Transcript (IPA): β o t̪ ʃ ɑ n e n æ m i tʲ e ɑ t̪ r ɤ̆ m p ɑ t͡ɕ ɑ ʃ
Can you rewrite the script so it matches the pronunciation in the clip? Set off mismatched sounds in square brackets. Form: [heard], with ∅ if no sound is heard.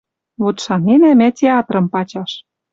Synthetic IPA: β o t̪ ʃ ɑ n e n æ m [æ] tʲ e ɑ t̪ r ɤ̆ m p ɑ t͡ɕ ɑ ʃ